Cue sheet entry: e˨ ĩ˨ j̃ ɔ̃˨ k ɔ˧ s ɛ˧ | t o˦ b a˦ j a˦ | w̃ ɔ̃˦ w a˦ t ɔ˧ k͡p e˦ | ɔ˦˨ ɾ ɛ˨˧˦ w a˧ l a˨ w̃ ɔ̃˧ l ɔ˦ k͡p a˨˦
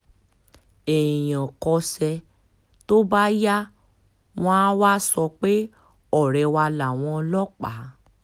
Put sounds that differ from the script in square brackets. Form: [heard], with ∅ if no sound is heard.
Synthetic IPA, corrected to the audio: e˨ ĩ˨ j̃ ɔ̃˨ k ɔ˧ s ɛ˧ | t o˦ b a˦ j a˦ | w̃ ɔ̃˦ w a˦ [s] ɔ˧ k͡p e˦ | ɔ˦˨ ɾ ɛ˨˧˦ w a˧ l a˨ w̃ ɔ̃˧ l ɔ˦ k͡p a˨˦